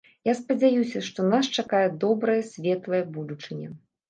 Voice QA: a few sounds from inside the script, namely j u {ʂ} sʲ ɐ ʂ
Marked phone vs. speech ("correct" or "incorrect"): incorrect